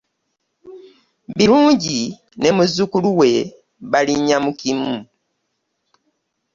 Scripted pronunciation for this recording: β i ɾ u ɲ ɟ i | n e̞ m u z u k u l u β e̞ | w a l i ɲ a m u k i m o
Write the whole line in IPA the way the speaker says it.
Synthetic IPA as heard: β i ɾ uː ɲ ɟ i | n e̞ m u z u k u l u w e̞ | β a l i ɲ a m u k i m u